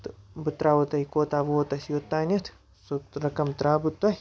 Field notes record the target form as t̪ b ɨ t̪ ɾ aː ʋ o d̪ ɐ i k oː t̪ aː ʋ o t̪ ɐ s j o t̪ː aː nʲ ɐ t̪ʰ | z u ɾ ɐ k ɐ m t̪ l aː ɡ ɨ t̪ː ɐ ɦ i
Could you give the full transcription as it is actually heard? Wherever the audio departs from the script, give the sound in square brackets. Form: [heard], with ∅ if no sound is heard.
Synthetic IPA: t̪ b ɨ t̪ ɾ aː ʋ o [t̪] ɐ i k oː t̪ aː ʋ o t̪ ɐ s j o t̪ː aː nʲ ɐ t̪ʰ | [s] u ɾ ɐ k ɐ m t̪ [ɾ] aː [b] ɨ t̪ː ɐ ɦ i